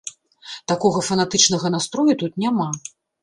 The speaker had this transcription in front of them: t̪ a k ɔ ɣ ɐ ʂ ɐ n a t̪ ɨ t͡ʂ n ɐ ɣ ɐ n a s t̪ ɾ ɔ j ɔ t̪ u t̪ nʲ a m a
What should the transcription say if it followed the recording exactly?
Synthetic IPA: t̪ a k ɔ ɣ ɐ f ɐ n a t̪ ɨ t͡ʂ n ɐ ɣ ɐ n a s t̪ ɾ ɔ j u t̪ u t̪ nʲ a m a